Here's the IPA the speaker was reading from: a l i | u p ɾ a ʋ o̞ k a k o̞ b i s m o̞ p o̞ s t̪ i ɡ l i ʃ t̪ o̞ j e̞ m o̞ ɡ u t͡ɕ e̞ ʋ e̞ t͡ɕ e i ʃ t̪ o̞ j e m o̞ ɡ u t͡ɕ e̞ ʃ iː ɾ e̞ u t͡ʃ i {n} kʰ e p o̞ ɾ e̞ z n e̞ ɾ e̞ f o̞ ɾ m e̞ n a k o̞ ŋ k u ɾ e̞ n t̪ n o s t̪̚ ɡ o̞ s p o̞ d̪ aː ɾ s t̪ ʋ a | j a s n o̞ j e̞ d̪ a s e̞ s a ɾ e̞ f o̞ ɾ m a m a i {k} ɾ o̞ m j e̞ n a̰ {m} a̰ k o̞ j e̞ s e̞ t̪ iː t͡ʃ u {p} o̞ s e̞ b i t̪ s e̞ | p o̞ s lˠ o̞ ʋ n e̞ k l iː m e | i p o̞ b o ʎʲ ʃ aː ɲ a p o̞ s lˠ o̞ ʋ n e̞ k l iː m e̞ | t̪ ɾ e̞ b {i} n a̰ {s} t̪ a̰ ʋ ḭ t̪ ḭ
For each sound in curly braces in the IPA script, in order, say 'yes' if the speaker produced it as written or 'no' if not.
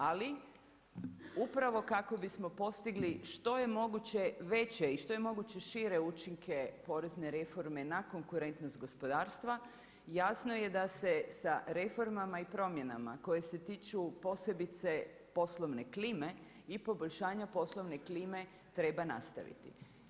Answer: no, no, yes, yes, no, yes

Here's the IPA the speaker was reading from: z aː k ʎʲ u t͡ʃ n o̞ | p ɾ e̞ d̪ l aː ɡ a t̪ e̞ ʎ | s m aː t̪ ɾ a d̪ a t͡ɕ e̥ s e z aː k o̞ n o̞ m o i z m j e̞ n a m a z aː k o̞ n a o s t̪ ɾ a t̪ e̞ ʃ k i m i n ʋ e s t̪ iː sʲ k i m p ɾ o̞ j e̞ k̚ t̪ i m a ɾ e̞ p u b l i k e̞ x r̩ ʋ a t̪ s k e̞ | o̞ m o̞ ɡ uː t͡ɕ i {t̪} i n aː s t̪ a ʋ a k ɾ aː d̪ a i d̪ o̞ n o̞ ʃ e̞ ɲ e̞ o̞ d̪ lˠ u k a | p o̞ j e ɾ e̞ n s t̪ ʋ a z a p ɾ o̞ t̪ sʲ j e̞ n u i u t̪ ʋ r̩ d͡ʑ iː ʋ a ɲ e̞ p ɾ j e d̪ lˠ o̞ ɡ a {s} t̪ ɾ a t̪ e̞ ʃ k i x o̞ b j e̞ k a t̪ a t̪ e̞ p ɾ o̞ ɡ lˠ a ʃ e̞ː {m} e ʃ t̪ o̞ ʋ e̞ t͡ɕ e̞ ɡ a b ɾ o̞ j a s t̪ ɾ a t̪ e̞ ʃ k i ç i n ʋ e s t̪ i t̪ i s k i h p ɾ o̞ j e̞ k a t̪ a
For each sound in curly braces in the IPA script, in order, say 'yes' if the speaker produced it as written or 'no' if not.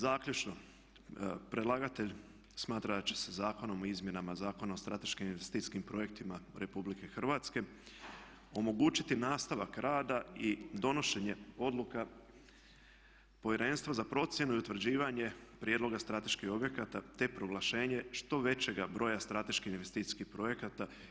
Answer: yes, yes, no

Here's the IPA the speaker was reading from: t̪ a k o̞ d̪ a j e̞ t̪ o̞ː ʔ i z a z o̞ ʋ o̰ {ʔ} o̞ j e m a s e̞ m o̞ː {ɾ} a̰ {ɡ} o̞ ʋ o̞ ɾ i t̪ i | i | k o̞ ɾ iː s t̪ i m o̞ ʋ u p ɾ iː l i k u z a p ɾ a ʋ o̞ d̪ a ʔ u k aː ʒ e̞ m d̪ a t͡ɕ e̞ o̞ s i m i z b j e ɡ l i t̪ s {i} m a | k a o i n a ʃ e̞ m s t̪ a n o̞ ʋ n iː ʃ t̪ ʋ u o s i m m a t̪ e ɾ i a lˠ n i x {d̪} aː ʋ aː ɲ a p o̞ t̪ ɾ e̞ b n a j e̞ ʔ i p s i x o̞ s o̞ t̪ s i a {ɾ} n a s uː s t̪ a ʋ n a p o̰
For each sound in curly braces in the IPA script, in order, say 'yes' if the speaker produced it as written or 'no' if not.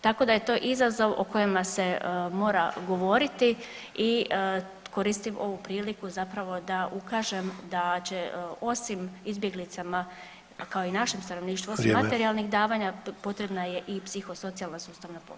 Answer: no, yes, yes, no, yes, no

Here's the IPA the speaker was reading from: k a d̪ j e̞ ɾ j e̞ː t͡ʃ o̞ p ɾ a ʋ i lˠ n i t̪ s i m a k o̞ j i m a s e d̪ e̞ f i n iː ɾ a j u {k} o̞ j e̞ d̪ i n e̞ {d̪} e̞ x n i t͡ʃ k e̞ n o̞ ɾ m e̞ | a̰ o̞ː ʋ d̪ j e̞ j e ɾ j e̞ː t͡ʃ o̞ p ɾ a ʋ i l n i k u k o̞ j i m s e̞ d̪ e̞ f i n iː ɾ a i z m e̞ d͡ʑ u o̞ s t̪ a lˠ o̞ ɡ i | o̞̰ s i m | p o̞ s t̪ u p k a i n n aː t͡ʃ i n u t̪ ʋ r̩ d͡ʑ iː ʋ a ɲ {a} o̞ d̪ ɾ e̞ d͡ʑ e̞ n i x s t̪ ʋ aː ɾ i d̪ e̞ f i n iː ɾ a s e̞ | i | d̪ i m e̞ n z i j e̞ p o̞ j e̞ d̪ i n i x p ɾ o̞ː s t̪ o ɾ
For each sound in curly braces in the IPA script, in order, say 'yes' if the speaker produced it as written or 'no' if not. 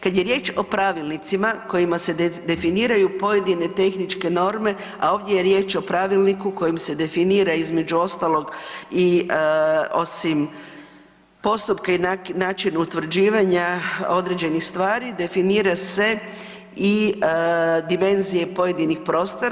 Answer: no, no, yes

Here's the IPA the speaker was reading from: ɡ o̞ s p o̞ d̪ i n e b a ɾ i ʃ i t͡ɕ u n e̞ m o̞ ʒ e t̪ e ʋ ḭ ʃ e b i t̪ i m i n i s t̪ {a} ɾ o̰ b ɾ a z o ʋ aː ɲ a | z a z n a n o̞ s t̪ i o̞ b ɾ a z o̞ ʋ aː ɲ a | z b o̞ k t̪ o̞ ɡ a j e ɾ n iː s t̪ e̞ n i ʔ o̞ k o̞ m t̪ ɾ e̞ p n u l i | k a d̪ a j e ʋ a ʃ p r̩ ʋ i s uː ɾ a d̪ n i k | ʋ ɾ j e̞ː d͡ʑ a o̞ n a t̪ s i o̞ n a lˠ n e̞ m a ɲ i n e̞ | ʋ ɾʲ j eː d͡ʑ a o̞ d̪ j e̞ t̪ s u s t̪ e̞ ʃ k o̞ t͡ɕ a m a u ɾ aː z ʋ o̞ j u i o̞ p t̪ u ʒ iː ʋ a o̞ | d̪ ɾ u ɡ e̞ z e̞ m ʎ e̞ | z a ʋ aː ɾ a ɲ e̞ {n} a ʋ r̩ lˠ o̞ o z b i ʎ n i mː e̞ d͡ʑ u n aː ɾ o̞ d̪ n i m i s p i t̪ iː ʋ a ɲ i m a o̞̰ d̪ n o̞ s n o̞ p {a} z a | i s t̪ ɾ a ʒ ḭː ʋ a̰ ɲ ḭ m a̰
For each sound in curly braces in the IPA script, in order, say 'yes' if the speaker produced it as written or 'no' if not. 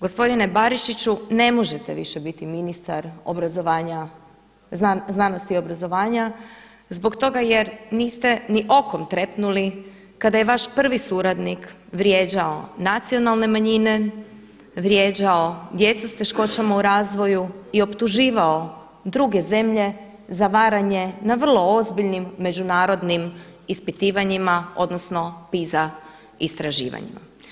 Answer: yes, yes, no

